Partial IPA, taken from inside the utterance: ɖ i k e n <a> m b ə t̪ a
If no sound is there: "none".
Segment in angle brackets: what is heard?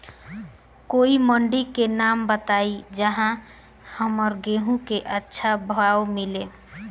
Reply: a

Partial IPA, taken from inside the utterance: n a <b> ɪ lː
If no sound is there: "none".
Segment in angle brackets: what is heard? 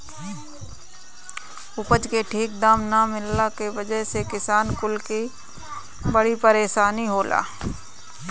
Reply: m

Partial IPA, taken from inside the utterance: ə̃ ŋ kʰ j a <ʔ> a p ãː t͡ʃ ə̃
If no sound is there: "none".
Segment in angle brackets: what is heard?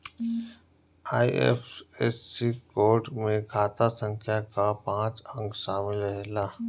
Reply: k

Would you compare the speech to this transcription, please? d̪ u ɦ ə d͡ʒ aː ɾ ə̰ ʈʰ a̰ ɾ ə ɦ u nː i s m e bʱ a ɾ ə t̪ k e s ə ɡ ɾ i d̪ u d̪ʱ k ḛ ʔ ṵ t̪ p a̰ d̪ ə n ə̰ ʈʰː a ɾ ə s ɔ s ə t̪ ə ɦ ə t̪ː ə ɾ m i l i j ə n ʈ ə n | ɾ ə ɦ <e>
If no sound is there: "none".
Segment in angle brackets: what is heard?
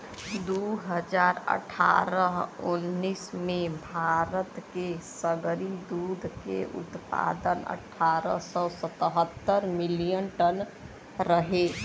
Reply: e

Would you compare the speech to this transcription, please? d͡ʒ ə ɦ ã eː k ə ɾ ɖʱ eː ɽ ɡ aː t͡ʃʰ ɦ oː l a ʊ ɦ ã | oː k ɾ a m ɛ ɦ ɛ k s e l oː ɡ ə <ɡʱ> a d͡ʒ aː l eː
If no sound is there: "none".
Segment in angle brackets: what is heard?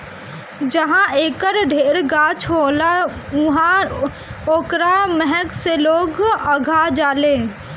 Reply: ɡʱ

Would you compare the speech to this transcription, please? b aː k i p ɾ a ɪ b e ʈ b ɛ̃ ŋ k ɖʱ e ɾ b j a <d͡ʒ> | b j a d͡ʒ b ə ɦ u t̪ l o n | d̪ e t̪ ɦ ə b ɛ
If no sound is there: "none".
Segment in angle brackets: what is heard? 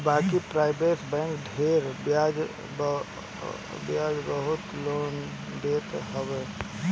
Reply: d͡ʒ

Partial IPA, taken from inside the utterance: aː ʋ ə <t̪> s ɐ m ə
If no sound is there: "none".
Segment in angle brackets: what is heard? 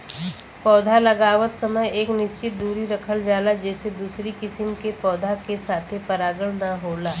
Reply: t̪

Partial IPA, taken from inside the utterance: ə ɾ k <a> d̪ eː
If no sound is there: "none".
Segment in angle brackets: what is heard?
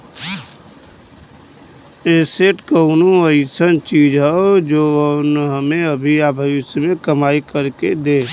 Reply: e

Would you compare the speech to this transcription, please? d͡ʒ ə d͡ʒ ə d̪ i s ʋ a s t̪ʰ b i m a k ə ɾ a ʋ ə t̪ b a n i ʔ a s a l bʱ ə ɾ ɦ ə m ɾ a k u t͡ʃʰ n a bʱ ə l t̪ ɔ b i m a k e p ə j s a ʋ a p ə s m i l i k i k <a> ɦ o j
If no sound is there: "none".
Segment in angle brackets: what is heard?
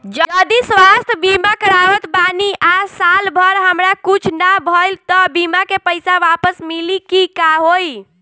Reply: a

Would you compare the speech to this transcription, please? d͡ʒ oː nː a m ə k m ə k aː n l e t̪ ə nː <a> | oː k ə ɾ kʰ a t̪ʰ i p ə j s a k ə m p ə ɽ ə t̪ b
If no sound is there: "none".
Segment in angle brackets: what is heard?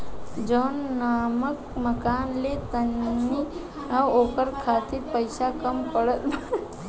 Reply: i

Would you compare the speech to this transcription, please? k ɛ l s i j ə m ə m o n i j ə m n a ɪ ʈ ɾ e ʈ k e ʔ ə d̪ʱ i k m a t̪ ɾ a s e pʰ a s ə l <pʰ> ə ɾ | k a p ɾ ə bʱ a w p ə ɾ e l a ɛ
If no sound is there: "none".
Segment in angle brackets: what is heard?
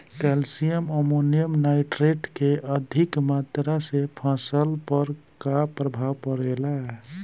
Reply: p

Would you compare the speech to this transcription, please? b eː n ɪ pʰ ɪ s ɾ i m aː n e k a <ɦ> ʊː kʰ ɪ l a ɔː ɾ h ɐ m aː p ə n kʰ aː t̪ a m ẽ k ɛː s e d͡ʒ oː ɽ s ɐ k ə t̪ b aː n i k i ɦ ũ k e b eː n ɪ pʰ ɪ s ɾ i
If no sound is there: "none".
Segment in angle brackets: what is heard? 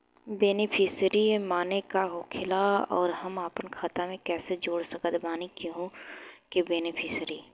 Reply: ɦ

